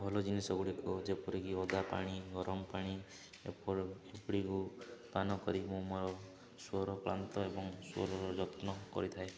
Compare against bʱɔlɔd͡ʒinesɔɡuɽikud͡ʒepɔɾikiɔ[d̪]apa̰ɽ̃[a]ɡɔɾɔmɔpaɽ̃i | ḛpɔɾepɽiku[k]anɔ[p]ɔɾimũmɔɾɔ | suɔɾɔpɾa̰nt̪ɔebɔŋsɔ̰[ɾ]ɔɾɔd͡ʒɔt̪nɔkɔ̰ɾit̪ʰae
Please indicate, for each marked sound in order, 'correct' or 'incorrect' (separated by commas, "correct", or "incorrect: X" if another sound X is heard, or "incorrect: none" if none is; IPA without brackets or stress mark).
correct, incorrect: i, incorrect: p, incorrect: k, correct